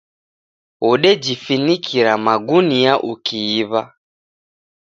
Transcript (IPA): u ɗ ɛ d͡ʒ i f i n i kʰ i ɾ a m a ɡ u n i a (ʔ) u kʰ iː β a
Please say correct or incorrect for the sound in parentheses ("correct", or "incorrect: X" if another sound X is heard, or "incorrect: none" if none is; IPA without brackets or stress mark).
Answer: correct